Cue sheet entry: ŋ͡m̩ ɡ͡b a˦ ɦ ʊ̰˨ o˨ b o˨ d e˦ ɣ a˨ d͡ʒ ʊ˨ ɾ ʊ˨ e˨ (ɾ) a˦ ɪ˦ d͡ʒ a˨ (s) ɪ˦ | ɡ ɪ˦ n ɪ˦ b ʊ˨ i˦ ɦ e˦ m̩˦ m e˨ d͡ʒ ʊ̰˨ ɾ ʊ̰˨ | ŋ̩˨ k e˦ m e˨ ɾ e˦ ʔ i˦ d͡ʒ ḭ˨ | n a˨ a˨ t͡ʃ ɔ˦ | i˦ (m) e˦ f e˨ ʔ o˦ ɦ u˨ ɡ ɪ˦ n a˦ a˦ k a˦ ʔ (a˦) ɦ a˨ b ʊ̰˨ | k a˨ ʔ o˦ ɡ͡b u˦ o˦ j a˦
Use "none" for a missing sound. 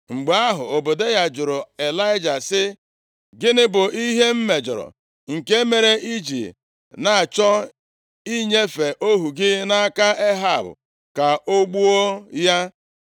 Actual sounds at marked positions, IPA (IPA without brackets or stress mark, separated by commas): l, s, ɲ, e˦